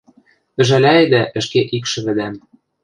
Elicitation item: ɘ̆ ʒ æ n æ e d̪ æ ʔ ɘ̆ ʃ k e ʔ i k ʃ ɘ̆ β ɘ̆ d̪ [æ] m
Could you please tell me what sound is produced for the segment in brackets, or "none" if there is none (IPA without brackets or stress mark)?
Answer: æ